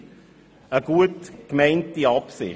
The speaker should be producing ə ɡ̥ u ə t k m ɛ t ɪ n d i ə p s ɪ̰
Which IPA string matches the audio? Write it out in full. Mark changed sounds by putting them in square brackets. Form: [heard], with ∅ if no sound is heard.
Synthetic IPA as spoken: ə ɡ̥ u ə t k m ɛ [∅] ɪ n [t] i [ɑ] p s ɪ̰